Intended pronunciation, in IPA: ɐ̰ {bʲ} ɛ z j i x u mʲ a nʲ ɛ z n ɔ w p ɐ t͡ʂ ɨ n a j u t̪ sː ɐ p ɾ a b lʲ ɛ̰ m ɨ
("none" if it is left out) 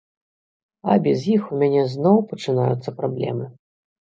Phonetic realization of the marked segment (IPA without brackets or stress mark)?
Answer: bʲ